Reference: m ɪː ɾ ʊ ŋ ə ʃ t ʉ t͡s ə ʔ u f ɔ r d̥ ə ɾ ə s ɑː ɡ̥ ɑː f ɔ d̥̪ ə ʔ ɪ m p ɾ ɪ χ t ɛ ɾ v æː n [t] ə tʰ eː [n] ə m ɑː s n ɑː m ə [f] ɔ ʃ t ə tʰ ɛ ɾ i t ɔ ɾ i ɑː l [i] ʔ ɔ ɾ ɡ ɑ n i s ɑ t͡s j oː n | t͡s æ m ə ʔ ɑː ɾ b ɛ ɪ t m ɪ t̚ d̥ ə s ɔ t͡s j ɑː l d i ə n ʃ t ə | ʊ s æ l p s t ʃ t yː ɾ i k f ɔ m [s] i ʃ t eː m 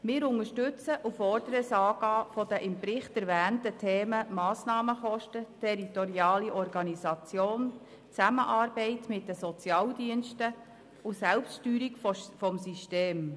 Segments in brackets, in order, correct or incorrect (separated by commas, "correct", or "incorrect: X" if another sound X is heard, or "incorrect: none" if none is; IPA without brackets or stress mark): correct, incorrect: m, incorrect: χ, correct, correct